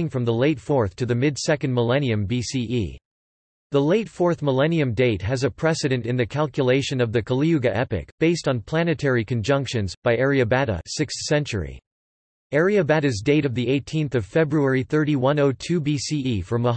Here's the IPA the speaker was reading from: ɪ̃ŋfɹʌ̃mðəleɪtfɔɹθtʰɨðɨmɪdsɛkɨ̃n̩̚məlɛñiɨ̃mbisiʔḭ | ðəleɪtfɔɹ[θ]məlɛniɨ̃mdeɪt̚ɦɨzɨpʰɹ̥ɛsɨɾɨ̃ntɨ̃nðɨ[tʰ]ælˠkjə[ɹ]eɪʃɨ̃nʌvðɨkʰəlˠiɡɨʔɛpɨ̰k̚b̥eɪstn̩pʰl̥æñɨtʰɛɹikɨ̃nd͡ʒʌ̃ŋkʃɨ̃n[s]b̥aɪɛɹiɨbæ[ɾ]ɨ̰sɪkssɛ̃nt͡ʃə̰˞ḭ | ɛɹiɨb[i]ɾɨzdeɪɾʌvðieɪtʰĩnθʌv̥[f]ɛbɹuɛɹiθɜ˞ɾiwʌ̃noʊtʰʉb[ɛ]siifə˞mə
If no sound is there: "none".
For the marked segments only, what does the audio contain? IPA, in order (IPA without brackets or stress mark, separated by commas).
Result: θ, kʰ, l, z, ɾ, æ, f, i